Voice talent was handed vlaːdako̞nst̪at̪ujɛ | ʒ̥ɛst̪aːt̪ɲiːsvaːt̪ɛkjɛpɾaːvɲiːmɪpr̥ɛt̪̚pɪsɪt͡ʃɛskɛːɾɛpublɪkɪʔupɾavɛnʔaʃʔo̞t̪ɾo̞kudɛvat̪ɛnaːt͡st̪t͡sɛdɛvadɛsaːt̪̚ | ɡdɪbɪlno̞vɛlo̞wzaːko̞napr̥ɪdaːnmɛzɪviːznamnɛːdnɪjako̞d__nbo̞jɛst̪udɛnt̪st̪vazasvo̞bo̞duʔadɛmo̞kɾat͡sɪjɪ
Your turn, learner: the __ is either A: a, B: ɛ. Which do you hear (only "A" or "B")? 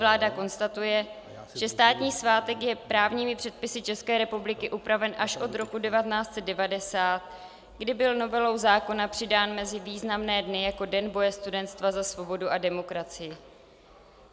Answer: B